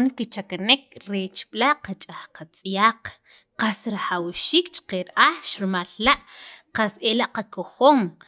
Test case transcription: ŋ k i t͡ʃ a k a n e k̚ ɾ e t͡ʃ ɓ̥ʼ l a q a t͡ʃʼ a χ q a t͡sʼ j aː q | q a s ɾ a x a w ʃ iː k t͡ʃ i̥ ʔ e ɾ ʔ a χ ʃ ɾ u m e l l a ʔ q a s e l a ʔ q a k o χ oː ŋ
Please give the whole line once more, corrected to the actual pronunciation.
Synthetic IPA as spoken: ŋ k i t͡ʃ a k a n e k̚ ɾ e t͡ʃ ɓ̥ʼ l a q a t͡ʃʼ a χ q a t͡sʼ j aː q | q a s ɾ a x a w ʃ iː k t͡ʃ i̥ q e ɾ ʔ a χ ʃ ɾ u m a l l a ʔ q a s e l a ʔ q a k o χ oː ŋ